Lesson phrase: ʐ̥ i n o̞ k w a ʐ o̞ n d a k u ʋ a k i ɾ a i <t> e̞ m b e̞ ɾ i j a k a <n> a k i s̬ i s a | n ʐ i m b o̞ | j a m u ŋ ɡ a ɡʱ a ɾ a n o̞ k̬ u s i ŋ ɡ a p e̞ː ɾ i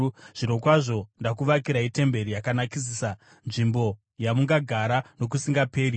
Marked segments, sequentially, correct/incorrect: correct, correct

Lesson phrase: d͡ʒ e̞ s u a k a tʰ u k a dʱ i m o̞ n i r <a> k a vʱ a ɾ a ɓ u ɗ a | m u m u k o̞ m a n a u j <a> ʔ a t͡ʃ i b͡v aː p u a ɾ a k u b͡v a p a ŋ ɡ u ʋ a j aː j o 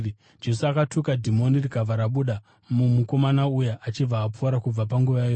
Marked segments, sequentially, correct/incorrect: incorrect: i, correct

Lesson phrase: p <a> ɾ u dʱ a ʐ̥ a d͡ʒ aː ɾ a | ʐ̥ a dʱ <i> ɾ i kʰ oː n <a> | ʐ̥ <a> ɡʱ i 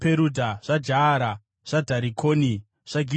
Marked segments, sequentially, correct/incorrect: incorrect: e, incorrect: a, incorrect: i, correct

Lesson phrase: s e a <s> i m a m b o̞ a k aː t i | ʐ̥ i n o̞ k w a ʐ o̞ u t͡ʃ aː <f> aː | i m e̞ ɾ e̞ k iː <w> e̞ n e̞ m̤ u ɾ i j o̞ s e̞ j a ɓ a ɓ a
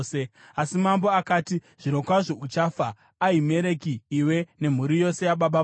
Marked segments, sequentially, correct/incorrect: correct, correct, correct

